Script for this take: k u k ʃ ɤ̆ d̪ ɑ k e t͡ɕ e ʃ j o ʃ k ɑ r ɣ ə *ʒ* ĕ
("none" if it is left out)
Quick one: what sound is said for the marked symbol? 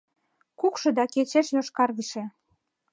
ʃ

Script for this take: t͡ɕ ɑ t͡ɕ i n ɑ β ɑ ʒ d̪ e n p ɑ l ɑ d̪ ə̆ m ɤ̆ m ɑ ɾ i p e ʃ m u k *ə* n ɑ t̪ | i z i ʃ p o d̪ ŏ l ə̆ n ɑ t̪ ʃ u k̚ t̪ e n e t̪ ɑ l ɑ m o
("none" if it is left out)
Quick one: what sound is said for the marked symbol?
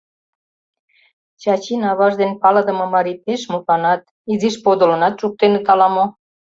ɑ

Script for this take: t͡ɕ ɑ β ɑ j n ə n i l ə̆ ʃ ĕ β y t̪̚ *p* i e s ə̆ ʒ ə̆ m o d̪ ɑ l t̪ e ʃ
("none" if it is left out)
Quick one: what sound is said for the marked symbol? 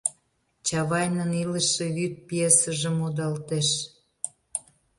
p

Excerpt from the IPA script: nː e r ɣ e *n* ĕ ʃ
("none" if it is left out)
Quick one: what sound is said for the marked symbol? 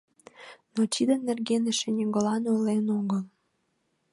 n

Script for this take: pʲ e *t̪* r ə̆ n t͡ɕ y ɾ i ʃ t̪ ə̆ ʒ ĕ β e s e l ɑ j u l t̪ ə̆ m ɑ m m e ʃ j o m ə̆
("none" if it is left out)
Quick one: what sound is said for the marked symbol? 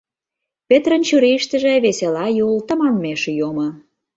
t̪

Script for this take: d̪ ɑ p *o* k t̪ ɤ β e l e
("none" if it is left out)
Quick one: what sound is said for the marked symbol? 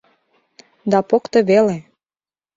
o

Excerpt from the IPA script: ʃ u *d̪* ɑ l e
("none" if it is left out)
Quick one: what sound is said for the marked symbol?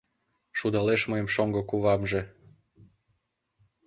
d̪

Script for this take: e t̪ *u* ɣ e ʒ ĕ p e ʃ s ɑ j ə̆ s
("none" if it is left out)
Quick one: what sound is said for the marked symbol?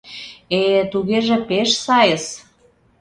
u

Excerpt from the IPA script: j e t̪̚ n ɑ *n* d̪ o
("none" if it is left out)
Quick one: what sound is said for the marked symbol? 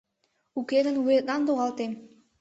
n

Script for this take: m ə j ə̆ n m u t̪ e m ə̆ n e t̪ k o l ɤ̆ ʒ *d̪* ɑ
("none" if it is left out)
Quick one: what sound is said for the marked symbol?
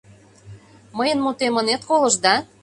d̪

